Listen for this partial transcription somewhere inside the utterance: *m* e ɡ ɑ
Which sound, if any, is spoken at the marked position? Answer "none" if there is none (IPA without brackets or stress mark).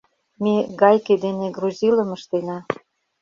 m